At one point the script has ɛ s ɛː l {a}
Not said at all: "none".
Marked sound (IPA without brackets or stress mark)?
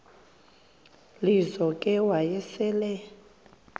ɛ